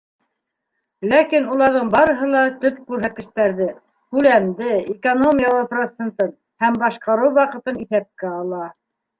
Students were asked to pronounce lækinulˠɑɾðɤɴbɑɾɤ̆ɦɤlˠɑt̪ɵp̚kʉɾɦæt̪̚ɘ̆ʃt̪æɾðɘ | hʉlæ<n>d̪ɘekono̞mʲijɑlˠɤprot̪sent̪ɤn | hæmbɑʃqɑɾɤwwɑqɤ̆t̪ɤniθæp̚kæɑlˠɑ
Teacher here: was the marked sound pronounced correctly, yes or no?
no